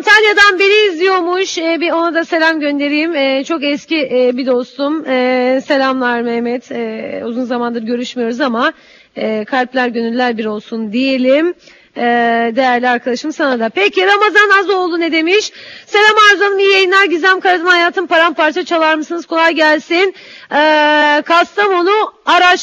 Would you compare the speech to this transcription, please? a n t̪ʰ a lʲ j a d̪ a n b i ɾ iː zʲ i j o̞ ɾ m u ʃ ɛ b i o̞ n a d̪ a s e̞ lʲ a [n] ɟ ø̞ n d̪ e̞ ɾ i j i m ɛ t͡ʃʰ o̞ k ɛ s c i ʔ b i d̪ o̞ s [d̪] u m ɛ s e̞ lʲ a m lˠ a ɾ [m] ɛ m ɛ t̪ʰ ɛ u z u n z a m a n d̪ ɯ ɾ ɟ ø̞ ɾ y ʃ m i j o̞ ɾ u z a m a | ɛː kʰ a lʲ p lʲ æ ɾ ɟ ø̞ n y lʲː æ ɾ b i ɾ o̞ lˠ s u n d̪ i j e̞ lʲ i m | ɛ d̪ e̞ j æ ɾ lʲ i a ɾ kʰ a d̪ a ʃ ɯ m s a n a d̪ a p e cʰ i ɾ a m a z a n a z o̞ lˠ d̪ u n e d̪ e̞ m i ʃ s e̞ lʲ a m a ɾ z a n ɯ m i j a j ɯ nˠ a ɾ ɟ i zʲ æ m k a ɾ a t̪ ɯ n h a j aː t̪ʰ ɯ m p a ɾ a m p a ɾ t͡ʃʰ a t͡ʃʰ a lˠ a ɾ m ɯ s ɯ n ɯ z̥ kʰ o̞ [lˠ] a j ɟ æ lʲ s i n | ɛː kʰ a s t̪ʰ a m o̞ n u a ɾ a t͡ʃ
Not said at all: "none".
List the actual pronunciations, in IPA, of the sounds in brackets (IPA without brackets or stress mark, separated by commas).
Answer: m, t̪, m, lˠ